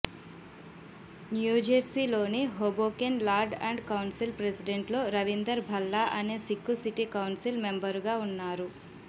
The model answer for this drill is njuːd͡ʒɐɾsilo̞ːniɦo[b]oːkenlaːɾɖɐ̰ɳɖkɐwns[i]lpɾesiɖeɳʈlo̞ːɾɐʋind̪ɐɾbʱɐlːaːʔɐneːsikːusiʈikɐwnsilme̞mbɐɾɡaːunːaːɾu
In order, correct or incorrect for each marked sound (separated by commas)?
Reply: correct, correct